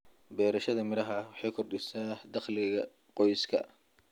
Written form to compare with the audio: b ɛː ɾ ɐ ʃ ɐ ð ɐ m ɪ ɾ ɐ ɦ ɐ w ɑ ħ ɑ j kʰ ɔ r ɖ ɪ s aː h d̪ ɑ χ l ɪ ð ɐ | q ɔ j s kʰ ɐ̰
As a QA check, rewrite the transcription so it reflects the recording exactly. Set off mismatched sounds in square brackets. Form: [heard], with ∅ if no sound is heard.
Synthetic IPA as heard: b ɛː ɾ ɐ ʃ ɐ ð ɐ m ɪ ɾ ɐ ɦ ɐ w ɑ ħ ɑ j kʰ ɔ r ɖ ɪ s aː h d̪ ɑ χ l ɪ [ɣ] ɐ | q ɔ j s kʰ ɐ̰